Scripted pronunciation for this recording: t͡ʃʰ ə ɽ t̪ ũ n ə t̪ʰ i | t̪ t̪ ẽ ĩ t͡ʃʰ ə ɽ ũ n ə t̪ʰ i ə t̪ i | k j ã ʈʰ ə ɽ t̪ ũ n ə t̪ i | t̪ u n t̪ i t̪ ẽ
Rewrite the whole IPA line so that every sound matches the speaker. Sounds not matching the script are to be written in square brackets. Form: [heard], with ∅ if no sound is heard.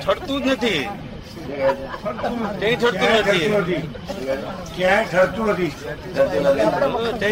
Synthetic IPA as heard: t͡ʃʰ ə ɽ t̪ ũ n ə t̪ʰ i | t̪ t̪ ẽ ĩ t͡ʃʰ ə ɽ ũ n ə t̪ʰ i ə t̪ i | k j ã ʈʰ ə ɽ t̪ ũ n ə t̪ i | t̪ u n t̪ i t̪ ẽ